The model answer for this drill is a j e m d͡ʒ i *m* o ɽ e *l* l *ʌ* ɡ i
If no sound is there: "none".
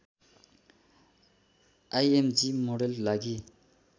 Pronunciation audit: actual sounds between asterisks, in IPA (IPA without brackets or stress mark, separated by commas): m, l, a